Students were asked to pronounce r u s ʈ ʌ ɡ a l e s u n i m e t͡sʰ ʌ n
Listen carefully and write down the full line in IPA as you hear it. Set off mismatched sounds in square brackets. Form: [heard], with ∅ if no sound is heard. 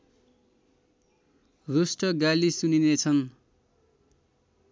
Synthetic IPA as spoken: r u s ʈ ʌ ɡ a l [i] s u n i [n] e t͡sʰ ʌ n